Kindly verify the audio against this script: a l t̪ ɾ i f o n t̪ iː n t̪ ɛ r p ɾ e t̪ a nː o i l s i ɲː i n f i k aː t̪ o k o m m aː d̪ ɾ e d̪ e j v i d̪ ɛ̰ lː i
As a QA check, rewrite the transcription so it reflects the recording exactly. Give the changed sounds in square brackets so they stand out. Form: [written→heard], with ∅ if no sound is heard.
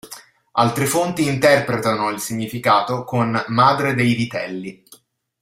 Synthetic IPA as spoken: a l t̪ ɾ [i→e] f o n t̪ iː n t̪ ɛ r p ɾ e t̪ a [nː→n] o i l s i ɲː i [n→∅] f i k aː t̪ o k o [m→n] m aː d̪ ɾ e d̪ e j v i [d̪→t̪] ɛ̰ lː i